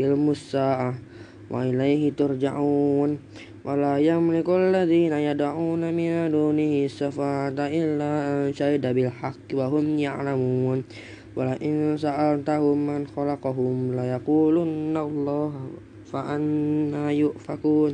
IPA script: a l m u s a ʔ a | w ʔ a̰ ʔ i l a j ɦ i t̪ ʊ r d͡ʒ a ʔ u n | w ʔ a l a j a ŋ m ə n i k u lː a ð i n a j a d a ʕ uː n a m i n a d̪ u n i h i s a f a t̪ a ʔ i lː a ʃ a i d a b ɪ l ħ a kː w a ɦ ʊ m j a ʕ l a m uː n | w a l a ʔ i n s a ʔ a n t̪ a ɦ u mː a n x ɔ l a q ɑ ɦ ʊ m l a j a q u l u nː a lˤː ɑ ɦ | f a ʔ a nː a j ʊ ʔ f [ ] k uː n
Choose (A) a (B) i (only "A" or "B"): A